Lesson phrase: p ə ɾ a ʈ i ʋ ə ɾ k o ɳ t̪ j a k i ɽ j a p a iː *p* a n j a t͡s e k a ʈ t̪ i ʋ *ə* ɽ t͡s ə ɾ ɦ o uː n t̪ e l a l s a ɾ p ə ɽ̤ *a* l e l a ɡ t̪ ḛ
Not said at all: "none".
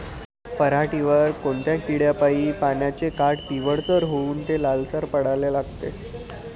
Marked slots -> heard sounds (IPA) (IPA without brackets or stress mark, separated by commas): p, ə, a